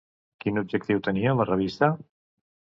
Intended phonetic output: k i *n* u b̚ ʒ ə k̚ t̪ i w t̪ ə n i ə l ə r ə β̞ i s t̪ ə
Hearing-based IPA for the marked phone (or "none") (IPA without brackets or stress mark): n